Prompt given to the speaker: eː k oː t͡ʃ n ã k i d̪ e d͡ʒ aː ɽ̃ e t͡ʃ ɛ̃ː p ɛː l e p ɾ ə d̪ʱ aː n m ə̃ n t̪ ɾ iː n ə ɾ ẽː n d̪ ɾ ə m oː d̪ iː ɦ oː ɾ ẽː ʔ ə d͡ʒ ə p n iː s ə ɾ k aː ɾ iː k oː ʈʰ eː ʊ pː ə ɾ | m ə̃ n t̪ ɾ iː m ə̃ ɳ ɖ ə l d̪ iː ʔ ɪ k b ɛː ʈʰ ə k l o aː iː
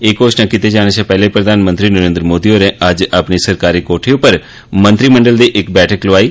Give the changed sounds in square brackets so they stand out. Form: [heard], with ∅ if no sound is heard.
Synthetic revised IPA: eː k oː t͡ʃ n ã k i [t̪] e d͡ʒ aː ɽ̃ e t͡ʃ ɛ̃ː p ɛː l e p ɾ ə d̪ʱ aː n m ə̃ n t̪ ɾ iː n ə ɾ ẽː n d̪ ɾ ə m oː d̪ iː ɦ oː ɾ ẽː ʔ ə d͡ʒ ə p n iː s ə ɾ k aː ɾ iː k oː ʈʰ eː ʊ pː ə ɾ | m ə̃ n t̪ ɾ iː m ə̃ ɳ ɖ ə l d̪ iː ʔ ɪ k b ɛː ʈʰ ə k l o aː iː